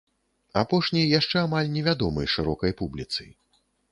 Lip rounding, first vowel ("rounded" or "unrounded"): unrounded